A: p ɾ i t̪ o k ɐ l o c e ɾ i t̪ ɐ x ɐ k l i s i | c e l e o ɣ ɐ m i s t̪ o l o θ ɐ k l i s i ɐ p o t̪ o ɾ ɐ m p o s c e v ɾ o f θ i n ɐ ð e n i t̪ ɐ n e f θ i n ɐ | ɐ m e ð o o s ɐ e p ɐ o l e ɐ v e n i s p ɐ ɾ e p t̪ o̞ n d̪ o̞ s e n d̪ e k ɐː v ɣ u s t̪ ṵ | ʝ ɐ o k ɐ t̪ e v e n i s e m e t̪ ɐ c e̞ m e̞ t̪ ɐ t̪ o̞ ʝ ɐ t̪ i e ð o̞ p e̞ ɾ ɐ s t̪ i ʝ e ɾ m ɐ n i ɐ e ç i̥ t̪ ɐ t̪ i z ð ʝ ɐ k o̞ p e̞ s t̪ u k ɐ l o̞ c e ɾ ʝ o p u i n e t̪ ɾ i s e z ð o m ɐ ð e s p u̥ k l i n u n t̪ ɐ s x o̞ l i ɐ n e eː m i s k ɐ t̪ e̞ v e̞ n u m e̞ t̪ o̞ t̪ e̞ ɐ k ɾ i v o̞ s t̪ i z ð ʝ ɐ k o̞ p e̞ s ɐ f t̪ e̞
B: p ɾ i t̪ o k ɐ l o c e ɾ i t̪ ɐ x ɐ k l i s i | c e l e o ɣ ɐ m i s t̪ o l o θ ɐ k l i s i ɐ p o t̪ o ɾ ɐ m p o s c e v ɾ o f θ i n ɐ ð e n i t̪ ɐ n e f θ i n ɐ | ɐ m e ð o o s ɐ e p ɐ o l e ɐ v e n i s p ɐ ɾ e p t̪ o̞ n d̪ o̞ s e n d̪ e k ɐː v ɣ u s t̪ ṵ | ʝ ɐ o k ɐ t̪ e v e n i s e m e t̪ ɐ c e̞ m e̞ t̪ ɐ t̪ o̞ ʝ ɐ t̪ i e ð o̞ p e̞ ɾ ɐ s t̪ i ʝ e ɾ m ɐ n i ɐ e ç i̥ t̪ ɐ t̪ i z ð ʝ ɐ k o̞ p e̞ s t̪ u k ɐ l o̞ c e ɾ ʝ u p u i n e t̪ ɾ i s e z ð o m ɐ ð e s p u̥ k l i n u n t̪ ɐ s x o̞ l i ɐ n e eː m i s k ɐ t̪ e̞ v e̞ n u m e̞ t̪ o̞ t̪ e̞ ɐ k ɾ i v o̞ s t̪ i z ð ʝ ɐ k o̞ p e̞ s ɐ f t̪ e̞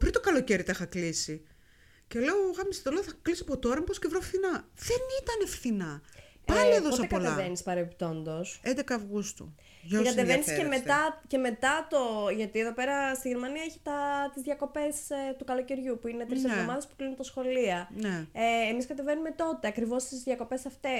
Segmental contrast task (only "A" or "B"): B